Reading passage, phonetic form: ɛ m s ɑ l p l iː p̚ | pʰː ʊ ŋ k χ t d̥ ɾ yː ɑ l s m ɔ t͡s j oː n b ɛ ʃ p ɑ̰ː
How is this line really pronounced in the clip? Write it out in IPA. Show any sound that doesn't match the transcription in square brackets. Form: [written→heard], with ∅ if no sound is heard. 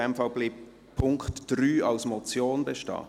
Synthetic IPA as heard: ɛ m [s→f] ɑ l [p→b] l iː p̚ | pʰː ʊ ŋ k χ t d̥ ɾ yː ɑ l s m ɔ t͡s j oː n b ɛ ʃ [p→t] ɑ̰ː

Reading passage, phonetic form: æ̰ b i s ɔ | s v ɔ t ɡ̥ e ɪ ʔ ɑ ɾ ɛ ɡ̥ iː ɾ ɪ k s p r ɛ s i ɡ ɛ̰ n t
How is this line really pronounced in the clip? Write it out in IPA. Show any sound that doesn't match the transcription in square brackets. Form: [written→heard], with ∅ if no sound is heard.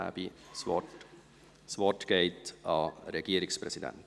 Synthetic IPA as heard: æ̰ b i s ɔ | s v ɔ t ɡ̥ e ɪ [ʔ→t] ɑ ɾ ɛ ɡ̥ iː ɾ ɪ k s p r ɛ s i [ɡ→d] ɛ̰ n t

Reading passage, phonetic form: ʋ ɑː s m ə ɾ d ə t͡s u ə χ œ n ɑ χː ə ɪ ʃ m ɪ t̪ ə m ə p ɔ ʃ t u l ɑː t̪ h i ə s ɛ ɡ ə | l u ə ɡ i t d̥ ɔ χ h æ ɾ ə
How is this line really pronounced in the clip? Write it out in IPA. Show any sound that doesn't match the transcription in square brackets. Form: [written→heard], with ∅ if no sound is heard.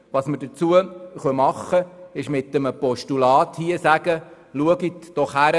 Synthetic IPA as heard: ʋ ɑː s m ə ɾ d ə t͡s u ə χ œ [n→m] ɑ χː ə ɪ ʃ m ɪ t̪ ə m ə p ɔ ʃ t u l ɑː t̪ h i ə s [ɛ→æ] ɡ ə | l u ə ɡ i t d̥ ɔ χ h æ ɾ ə

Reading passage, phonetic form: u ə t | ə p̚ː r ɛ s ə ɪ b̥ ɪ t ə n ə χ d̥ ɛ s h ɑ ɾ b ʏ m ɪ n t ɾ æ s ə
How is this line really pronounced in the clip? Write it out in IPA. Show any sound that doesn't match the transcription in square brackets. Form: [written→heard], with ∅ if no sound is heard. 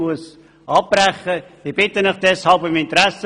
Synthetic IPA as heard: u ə [t→s] | [ə→ɑ] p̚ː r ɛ [s→χ] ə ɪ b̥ ɪ t ə n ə χ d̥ ɛ s h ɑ [ɾ→l] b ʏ m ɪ n t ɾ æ s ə

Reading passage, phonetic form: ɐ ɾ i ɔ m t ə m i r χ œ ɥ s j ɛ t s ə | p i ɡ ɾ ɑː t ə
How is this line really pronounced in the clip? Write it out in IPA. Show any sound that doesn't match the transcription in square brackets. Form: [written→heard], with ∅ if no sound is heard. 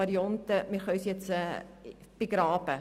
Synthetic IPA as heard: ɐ ɾ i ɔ [m→n] t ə m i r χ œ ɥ s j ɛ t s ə | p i ɡ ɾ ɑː [t→p] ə

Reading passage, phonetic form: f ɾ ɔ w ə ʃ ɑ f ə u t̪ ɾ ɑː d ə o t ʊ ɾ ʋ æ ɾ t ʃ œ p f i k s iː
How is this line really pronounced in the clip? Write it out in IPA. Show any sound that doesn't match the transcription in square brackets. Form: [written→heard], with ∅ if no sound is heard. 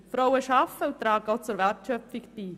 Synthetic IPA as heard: f ɾ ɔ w ə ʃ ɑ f ə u t̪ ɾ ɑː [d→ɡ] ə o [t→t͡s] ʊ ɾ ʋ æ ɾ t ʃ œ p f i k [s→t] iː

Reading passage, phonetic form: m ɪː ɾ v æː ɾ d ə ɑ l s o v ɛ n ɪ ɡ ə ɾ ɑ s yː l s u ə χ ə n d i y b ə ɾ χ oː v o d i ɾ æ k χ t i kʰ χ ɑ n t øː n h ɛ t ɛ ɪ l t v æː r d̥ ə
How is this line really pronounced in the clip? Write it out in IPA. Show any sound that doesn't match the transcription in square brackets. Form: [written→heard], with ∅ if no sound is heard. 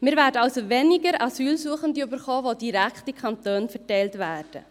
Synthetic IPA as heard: m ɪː ɾ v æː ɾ d ə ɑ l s o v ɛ n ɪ ɡ ə ɾ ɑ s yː l s u ə χ ə n d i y b ə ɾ χ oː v o d i ɾ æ k χ t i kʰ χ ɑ n t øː n [h→f] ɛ t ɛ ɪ l t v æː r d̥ ə

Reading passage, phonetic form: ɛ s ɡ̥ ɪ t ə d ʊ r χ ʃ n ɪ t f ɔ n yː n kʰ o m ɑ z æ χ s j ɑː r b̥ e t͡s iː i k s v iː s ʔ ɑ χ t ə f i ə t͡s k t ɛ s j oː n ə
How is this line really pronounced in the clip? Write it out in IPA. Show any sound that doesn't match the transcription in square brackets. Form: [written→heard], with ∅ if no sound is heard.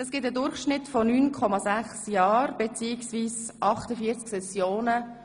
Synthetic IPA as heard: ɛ s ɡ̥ ɪ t ə d ʊ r χ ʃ n ɪ t f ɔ n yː n kʰ [o→ɔ] m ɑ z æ χ s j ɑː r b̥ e t͡s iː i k s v iː s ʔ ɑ χ t ə f i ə t͡s k [t→s] ɛ s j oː n ə

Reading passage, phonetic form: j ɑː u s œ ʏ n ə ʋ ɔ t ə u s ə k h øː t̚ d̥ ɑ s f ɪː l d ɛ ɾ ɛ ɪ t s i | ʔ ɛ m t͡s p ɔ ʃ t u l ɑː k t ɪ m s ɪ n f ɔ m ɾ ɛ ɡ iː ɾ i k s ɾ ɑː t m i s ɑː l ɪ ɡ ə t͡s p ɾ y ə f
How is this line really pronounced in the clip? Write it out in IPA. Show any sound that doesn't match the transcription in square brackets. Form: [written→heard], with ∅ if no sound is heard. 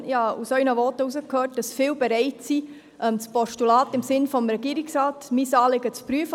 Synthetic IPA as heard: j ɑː u s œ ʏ n ə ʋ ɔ t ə u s ə k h øː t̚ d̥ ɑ s f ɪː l [d→b] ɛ ɾ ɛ ɪ t s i | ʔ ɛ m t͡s p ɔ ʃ t u l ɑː [k→∅] t ɪ m s ɪ n f ɔ m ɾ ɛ ɡ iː ɾ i k s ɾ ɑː t m i s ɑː l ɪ ɡ ə t͡s p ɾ y ə f

